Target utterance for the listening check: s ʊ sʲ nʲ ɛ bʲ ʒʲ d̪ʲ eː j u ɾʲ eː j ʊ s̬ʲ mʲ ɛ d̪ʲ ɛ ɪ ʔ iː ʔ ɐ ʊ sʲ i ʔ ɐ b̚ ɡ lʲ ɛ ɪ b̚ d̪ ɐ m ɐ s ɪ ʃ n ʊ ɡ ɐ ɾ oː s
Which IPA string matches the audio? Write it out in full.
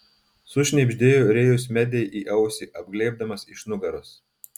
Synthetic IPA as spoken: s ʊ ʃʲ nʲ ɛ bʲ ʒʲ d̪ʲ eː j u ɾʲ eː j ʊ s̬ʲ mʲ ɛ d̪ʲ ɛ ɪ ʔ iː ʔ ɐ ʊ sʲ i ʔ ɐ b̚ ɡ lʲ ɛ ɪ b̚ d̪ ɐ m ɐ s ɪ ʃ n ʊ ɡ ɐ ɾ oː s